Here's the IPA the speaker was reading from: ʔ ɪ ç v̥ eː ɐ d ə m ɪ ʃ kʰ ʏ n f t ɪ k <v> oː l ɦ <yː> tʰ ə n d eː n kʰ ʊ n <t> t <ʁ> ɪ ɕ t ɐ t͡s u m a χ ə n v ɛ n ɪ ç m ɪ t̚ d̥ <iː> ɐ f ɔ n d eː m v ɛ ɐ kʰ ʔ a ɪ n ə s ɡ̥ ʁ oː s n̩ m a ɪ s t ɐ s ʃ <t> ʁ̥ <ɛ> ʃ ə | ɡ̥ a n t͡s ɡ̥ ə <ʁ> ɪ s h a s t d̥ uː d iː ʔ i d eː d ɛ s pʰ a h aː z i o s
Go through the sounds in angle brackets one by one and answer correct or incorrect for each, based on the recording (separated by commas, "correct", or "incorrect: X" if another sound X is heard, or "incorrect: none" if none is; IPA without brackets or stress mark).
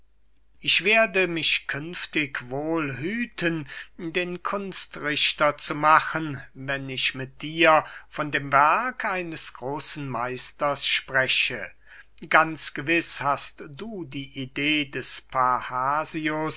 correct, correct, incorrect: s, correct, correct, incorrect: p, correct, incorrect: v